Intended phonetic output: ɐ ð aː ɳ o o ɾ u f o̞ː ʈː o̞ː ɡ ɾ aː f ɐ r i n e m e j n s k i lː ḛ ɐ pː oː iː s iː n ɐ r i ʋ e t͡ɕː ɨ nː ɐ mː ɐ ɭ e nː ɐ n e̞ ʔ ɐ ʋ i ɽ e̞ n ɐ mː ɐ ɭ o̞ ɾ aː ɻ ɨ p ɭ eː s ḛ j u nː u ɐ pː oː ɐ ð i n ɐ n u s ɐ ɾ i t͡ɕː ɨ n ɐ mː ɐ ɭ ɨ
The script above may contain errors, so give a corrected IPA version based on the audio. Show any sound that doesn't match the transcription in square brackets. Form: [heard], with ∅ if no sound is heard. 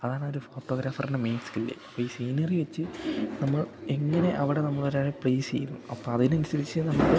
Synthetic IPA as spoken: ɐ ð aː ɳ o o ɾ u f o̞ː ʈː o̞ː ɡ ɾ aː f ɐ r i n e m e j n s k i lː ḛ ɐ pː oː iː s iː n ɐ r i ʋ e t͡ɕː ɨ [n] ɐ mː ɐ ɭ e [ŋː] ɐ n e̞ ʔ ɐ ʋ i ɽ e̞ n ɐ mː ɐ ɭ o̞ ɾ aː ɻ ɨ p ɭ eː s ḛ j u nː u ɐ pː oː ɐ ð i n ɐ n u s ɐ ɾ i t͡ɕː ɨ n ɐ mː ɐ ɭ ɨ